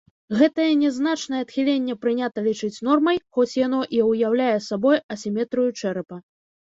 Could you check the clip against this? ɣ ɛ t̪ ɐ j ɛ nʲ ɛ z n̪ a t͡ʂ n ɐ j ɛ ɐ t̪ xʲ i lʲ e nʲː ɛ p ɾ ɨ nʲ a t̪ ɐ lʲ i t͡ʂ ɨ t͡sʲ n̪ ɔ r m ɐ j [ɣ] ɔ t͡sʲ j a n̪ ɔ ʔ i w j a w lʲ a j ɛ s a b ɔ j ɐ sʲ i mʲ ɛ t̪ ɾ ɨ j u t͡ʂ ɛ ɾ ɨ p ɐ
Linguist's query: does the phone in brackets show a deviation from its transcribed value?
yes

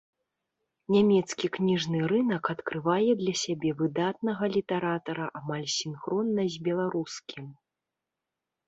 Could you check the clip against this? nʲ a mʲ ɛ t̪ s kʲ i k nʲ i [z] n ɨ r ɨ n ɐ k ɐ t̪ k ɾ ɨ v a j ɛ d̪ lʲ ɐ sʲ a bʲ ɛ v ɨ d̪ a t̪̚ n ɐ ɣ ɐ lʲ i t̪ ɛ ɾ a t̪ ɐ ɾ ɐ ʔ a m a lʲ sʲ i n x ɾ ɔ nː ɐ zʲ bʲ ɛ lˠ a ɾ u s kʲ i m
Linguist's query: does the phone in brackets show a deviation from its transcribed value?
yes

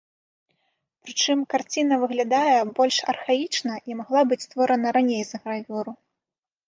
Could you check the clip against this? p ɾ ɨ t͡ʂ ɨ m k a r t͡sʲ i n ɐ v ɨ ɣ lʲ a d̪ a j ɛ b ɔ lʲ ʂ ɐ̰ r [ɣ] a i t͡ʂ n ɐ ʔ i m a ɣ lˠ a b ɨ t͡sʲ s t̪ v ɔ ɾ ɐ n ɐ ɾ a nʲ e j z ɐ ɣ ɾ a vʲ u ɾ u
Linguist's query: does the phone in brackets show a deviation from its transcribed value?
yes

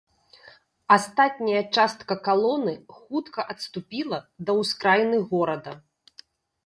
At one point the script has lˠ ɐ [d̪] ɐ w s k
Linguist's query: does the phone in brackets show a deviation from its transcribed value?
no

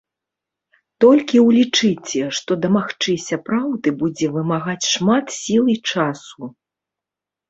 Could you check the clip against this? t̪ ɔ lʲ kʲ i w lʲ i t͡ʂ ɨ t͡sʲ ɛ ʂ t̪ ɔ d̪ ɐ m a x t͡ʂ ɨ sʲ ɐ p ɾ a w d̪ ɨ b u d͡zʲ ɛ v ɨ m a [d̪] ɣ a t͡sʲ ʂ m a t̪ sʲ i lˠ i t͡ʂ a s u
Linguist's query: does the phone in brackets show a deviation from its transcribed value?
yes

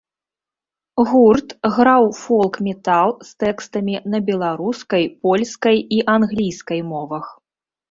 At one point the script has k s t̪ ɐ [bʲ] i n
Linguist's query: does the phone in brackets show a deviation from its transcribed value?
yes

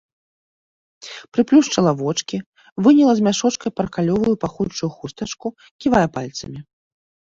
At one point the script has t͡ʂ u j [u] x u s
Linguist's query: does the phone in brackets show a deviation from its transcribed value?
no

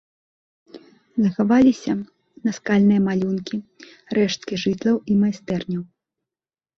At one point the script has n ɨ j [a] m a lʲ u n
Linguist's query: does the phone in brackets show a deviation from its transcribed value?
yes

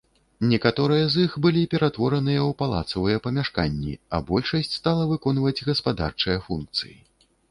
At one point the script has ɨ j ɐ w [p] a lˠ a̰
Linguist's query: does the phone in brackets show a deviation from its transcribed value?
no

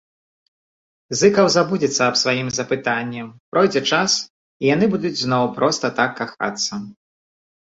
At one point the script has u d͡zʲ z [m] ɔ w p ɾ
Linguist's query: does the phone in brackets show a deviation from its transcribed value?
yes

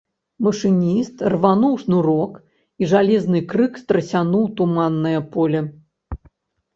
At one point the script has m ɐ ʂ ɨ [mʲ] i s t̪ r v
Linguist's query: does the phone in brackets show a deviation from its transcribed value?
yes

